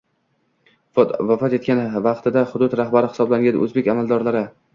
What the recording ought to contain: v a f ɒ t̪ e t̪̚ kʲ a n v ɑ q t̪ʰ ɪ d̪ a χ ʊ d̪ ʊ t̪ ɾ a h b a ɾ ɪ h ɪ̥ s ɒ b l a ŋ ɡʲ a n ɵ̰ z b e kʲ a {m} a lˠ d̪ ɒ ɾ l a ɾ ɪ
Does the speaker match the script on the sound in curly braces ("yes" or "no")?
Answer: yes